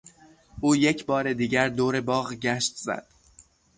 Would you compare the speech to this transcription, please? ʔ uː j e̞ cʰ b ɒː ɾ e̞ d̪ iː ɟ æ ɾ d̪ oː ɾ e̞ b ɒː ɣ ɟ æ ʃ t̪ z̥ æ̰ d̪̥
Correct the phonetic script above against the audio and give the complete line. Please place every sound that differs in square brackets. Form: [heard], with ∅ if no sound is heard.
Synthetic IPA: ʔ uː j e̞ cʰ b ɒː ɾ e̞ d̪ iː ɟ æ ɾ d̪ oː ɾ e̞ b ɒː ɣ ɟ æ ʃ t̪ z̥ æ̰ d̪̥